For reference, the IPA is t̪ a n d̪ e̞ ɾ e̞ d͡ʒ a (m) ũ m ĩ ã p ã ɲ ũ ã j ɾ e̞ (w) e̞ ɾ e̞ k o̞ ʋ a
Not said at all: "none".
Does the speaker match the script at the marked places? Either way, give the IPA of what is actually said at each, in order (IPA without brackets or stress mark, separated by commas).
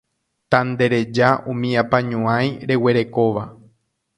none, w